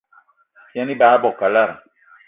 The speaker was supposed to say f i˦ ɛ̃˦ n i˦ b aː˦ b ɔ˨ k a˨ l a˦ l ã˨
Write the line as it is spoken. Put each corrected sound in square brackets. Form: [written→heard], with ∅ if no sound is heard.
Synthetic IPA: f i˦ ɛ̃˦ n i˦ b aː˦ b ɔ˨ k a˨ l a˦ [l→ɾ] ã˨